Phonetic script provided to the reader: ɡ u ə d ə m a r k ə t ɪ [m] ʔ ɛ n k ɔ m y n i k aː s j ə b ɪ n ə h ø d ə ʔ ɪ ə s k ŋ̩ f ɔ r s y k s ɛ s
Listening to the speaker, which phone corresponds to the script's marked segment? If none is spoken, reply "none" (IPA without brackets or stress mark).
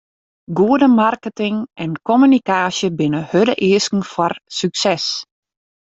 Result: ŋ